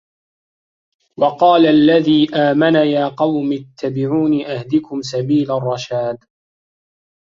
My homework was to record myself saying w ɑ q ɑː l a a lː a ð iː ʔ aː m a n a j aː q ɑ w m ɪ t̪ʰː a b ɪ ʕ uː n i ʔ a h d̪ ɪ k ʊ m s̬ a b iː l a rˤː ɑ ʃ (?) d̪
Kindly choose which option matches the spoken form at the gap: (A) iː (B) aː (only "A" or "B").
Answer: B